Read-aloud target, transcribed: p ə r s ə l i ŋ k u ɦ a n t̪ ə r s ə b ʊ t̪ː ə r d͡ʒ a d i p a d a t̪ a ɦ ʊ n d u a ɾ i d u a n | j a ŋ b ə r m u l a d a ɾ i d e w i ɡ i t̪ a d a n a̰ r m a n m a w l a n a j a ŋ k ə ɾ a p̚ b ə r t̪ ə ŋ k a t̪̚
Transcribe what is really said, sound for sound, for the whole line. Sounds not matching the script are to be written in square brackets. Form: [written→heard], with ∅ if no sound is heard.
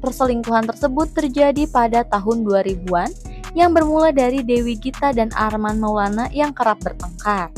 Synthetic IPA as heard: p ə r s ə l i ŋ k u ɦ a n t̪ ə r s ə b ʊ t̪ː ə r d͡ʒ a d i p a d a t̪ a ɦ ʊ n d u a ɾ i [d→b] u a n | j a ŋ b ə r m u l a d a ɾ i d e w i ɡ i t̪ a d a n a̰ r m a n m a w l a n a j a ŋ k ə ɾ a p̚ b ə r t̪ ə ŋ k a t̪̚

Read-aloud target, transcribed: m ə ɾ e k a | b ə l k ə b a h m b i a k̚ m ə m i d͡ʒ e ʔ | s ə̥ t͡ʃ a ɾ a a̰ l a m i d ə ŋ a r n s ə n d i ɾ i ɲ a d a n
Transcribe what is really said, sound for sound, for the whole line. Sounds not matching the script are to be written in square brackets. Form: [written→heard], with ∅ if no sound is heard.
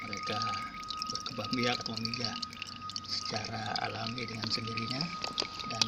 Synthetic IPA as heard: m ə ɾ e k a | b ə [l→r] k ə b a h m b i a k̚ m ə m i d͡ʒ [e→a] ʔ | s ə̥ t͡ʃ a ɾ a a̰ l a m i d ə ŋ a [r→∅] n s ə n d i ɾ i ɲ a d a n

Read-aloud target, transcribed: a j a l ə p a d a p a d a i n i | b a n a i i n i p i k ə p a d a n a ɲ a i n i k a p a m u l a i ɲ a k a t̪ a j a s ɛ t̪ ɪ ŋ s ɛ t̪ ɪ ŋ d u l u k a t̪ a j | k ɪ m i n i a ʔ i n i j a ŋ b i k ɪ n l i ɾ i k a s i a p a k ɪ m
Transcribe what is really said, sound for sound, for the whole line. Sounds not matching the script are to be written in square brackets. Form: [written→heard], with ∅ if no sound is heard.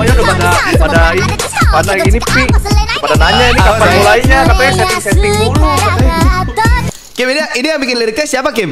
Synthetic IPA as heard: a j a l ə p a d a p a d a i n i | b a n a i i n i p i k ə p a d a n a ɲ a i n i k a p a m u l a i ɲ a k a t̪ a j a s ɛ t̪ ɪ ŋ s ɛ t̪ ɪ ŋ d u l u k a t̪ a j | k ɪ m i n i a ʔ i n i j a ŋ b i k ɪ n l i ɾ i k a s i a p a k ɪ m

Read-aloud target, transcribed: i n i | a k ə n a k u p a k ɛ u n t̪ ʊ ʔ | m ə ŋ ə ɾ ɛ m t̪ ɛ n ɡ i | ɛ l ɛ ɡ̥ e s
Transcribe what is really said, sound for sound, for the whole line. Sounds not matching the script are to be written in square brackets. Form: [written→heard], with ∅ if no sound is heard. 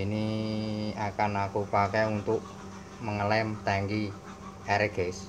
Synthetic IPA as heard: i n i | a k [ə→a] n a k u p a k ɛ u n t̪ ʊ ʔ | m ə ŋ ə [ɾ→l] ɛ m t̪ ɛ [n→ŋ] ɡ i | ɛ [l→ɾ] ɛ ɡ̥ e s

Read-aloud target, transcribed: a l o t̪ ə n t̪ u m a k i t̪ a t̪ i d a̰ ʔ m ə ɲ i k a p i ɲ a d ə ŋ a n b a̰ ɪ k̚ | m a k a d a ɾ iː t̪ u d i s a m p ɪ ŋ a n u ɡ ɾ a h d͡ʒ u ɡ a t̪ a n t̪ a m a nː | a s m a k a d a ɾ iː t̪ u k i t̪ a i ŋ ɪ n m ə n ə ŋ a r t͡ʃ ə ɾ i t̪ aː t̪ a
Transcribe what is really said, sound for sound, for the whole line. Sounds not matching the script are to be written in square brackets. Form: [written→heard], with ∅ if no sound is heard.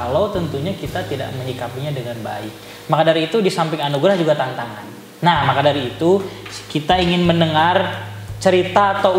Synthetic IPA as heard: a l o t̪ ə n t̪ u [m→ɲ] a k i t̪ a t̪ i d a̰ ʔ m ə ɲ i k a p i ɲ a d ə ŋ a n b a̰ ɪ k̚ | m a k a d a ɾ iː t̪ u d i s a m p ɪ ŋ a n u ɡ ɾ a h d͡ʒ u ɡ a t̪ a n t̪ a [m→ŋ] a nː | a [s→h] m a k a d a ɾ iː t̪ u k i t̪ a i ŋ ɪ n m ə n ə ŋ a r t͡ʃ ə ɾ i t̪ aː t̪ a

